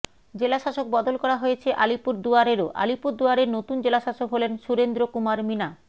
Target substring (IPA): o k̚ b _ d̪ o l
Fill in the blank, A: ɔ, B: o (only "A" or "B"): A